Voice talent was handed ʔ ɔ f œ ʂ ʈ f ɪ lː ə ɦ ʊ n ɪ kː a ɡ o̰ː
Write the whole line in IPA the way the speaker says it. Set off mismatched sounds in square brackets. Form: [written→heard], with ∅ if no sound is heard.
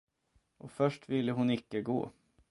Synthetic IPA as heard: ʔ ɔ f œ ʂ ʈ [f→v] ɪ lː ə ɦ ʊ n ɪ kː [a→ə] ɡ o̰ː